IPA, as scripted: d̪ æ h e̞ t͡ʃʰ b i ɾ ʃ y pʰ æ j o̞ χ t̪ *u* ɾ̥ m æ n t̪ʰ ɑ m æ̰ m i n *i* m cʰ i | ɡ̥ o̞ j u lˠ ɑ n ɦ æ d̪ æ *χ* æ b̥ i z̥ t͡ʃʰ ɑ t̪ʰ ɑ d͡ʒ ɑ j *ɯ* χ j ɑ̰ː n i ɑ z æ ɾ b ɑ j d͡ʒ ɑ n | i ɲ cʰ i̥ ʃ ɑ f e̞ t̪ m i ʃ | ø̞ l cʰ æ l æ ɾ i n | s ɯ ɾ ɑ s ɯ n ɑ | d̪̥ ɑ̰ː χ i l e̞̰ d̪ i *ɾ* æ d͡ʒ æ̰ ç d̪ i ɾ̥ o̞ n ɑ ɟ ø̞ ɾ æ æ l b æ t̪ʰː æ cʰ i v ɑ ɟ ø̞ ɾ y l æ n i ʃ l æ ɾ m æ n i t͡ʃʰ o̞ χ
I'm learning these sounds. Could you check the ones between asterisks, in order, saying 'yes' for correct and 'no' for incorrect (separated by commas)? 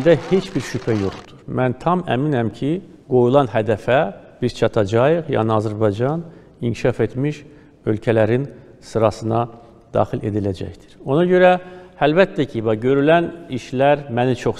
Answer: yes, no, no, yes, no